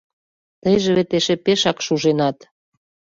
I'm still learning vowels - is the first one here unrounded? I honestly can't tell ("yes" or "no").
yes